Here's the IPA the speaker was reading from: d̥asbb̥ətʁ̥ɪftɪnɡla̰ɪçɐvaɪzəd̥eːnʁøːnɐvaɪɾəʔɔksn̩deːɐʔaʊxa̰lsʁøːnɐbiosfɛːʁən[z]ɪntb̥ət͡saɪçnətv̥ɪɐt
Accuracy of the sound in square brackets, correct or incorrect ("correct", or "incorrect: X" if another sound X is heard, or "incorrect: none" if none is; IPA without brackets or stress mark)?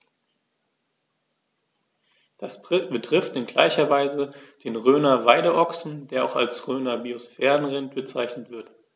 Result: incorrect: ʁ